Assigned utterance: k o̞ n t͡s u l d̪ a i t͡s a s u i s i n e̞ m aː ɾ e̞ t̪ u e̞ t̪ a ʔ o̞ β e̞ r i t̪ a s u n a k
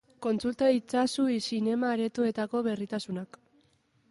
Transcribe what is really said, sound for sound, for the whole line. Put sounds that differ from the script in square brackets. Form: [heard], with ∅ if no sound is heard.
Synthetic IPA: k o̞ n t͡s u l [t̪] a i t͡s a s u i s i n e̞ m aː ɾ e̞ t̪ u e̞ t̪ a [k] o̞ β e̞ r i t̪ a s u n a k